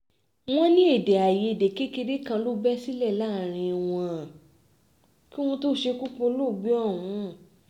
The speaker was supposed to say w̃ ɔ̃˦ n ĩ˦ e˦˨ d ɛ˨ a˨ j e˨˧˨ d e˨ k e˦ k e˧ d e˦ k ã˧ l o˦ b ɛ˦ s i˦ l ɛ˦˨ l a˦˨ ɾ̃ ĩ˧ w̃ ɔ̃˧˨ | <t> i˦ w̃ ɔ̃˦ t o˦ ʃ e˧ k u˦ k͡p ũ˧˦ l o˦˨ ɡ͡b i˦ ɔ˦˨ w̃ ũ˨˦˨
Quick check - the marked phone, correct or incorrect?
incorrect